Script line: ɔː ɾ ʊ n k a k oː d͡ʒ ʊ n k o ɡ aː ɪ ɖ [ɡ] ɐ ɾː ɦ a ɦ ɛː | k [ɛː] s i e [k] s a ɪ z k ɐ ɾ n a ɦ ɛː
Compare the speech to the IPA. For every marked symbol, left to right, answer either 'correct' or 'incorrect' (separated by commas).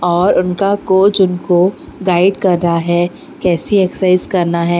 incorrect, correct, correct